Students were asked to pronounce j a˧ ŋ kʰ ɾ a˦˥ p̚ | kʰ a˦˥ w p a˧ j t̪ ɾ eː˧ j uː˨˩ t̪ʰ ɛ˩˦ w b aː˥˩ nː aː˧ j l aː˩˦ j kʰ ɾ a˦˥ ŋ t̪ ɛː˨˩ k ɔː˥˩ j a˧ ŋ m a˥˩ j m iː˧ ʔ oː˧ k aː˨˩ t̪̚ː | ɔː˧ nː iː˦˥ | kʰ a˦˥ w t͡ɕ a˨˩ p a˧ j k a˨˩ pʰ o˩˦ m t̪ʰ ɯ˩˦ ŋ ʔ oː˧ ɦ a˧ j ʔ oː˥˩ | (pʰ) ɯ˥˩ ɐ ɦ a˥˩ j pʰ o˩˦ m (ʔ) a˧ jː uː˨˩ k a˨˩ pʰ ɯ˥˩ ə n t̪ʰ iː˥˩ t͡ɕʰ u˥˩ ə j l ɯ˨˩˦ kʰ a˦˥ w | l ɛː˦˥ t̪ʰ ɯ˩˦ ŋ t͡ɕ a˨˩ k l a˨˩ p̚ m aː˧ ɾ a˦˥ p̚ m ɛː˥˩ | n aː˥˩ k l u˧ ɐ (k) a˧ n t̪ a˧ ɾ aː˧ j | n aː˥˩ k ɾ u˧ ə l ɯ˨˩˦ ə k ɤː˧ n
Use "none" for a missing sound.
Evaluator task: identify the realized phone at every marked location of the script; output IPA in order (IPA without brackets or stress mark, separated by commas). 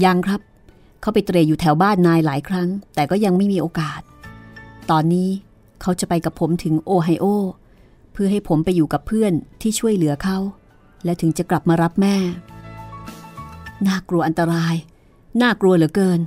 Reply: pʰ, p, ʔ